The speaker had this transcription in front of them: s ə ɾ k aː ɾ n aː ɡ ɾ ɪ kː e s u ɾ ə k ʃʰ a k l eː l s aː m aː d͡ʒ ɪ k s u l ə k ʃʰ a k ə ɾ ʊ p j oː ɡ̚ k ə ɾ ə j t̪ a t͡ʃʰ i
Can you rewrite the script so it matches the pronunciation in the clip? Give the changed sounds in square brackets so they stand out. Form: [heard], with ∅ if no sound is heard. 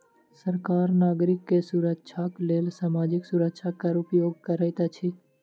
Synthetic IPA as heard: s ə ɾ k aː ɾ n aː ɡ ɾ ɪ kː e s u ɾ ə k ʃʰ a k l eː l s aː m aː d͡ʒ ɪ k s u [ɾ] ə k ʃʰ a k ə ɾ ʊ p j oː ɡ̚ k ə ɾ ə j t̪ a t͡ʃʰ i